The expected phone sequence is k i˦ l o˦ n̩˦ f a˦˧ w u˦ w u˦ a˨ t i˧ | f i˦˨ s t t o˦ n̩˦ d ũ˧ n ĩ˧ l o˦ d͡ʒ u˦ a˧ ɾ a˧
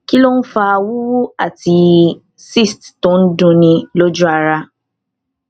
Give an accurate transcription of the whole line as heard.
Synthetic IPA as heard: k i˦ l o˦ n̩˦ f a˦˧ w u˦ w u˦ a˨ t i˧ | s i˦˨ s t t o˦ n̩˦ d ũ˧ n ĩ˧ l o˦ d͡ʒ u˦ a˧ ɾ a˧